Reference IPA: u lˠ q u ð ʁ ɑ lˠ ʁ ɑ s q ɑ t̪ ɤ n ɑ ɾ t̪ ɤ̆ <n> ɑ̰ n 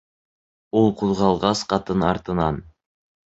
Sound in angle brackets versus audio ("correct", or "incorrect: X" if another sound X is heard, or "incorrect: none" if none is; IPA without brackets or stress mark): correct